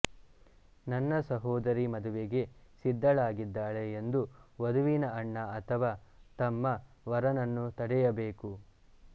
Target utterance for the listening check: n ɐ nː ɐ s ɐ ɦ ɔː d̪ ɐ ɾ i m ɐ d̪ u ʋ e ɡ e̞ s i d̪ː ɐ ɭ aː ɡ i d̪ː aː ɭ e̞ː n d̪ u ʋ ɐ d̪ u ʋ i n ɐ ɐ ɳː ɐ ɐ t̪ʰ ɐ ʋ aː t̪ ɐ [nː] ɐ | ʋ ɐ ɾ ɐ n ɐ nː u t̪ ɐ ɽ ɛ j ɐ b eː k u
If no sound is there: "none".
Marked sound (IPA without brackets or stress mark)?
mː